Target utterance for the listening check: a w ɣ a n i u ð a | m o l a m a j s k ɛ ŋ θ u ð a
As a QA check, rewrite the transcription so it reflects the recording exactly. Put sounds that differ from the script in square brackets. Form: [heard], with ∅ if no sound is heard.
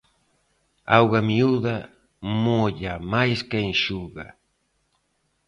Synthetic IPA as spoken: a w ɣ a [m] i u ð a | m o [ʎ] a m a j s k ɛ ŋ [ʃ] u [ɣ] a